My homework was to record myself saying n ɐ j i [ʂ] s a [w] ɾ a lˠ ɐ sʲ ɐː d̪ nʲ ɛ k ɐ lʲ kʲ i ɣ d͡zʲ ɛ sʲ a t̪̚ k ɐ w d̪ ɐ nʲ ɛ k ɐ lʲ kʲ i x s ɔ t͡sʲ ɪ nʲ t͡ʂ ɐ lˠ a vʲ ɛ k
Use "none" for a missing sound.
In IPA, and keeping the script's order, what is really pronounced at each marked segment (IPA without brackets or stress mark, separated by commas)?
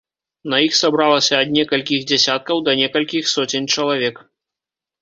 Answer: x, b